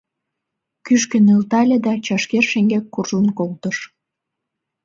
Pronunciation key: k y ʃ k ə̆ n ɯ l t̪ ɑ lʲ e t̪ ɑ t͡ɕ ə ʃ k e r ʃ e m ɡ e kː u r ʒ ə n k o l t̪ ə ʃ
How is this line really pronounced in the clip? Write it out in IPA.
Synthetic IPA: k y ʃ k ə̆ n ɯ l t̪ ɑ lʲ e d̪ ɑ t͡ɕ ɑ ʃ k e r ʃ e ŋ ɡ e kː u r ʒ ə n k o l t̪ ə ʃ

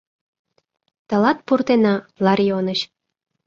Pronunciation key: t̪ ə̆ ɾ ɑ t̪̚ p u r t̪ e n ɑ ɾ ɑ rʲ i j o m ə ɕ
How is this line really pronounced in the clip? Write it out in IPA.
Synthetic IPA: t̪ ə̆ l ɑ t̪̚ p u r t̪ e n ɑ l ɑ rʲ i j o n ə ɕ

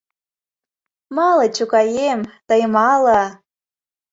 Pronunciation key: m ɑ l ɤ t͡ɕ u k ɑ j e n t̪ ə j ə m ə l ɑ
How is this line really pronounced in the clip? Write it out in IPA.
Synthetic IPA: m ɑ l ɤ t͡ɕ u k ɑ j e m t̪ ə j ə m ɑ l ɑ

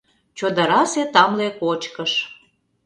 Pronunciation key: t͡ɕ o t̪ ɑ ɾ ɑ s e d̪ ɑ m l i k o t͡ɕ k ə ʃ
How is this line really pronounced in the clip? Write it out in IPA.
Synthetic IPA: t͡ɕ o d̪ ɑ ɾ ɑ s e t̪ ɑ m l e k o t͡ɕ k ə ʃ

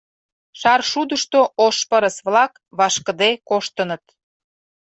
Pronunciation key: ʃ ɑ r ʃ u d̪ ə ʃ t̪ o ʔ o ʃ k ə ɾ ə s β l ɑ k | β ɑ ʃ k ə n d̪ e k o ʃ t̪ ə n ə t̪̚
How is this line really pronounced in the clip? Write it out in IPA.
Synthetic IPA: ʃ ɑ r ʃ u d̪ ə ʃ t̪ o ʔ o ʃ p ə ɾ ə s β l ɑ k | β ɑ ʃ k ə d̪ e k o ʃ t̪ ə n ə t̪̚

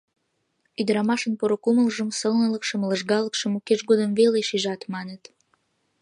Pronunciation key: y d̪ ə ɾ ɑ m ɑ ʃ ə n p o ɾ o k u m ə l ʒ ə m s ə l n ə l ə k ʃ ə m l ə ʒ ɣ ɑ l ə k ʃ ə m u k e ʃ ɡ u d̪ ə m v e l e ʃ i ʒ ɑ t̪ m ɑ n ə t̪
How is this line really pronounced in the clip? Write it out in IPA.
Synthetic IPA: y d̪ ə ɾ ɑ m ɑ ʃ ə n p o ɾ o k u m ə l ʒ ə m s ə l n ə l ə k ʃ ə m l ə ʒ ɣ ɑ l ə k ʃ ə m u k e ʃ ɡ o d̪ ə m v e l e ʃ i ʒ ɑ t̪ m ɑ n ə t̪

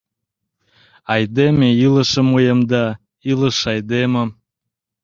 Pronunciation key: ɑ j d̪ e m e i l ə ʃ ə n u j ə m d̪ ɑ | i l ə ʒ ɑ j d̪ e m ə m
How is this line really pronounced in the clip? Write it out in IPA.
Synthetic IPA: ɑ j d̪ e m e i l ə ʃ ə m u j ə m d̪ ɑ | i l ə ʃ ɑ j d̪ e m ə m

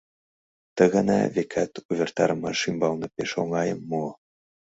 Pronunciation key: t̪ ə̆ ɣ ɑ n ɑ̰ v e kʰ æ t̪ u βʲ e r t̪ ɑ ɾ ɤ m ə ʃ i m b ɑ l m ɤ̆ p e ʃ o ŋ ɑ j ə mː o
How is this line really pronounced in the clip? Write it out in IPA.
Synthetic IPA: t̪ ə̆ ɣ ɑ n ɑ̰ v e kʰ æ t̪ u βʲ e r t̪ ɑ ɾ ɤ m ɑ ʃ i m b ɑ l n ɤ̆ p e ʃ o ŋ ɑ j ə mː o

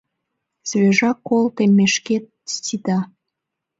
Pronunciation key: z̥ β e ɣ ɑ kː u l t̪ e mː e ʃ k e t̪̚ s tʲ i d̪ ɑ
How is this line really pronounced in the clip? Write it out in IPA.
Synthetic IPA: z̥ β e ʒ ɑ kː o l t̪ e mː e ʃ k e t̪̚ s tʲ i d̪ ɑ

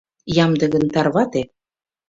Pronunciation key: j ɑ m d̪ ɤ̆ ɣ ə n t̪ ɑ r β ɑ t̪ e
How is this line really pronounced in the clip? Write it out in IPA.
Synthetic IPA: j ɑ m d̪ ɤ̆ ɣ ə n t̪ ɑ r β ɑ t̪ e

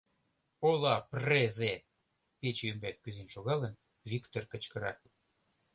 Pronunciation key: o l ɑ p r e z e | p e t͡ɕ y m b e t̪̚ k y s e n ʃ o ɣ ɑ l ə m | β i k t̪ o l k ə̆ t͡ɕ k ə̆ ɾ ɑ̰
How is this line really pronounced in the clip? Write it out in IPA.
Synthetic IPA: o l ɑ p r e z e | p e t͡ɕ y m b æ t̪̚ k y z e n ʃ o ɣ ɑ l ə n | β i k t̪ o r k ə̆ t͡ɕ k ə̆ ɾ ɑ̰

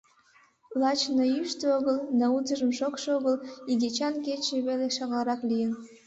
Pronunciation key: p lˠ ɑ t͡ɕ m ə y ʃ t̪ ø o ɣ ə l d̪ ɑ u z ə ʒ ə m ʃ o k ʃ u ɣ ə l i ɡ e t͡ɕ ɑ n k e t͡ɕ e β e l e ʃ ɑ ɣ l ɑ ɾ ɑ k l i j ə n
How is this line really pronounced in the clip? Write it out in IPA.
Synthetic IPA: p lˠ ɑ t͡ɕ n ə y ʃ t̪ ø o ɣ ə l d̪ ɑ u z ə ʒ ə m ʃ o k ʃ o ɣ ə l i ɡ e t͡ɕ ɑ n k e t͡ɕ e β e l e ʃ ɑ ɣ l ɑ ɾ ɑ k l i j ə n

